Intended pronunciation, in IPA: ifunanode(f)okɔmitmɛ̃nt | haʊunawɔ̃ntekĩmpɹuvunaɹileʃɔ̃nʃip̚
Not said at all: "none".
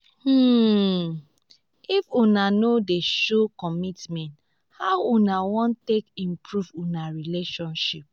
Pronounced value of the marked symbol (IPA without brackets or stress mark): ʃ